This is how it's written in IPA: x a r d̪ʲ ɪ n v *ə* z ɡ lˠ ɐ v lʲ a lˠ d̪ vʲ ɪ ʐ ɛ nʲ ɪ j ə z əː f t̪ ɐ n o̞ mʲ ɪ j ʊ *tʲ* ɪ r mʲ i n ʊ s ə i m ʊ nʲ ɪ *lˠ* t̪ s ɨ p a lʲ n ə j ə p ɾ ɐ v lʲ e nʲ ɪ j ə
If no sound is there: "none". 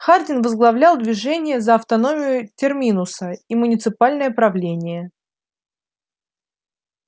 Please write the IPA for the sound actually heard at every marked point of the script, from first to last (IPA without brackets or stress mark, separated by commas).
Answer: ə, tʲ, none